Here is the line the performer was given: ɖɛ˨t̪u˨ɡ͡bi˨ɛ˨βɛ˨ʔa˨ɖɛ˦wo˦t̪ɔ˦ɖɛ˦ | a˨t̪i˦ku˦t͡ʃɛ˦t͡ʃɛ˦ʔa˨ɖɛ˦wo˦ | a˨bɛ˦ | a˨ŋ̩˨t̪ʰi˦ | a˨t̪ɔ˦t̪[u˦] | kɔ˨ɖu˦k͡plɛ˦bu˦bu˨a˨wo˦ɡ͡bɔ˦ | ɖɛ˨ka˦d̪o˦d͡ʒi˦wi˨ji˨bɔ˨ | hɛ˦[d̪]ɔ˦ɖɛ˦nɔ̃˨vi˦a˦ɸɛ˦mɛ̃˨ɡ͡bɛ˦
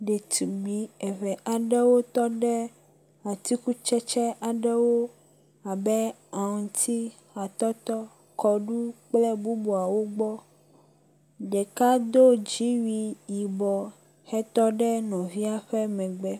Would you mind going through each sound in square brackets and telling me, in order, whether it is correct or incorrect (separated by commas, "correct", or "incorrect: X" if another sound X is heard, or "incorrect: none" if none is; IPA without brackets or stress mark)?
incorrect: ɔ˦, incorrect: t̪